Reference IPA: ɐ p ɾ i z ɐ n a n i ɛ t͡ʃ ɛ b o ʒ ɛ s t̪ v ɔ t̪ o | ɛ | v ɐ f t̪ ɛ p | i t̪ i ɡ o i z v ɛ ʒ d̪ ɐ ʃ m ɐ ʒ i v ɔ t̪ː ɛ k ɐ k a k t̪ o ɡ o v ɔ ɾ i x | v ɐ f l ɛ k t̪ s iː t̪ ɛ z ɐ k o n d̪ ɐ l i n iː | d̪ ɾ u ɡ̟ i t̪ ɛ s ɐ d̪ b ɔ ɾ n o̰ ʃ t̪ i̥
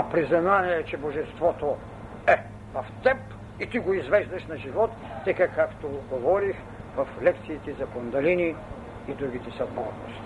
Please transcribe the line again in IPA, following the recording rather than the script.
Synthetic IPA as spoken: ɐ p ɾ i z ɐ n a n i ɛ t͡ʃ ɛ b o ʒ ɛ s t̪ v ɔ t̪ o | ɛ | v ɐ f t̪ ɛ p | i t̪ i ɡ o i z v ɛ ʒ d̪ ɐ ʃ n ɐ ʒ i v ɔ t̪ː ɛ k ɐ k a k t̪ o ɡ o v ɔ ɾ i x | v ɐ f l ɛ k t̪ s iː t̪ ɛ z ɐ k o n d̪ ɐ l i n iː | d̪ ɾ u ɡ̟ i t̪ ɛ s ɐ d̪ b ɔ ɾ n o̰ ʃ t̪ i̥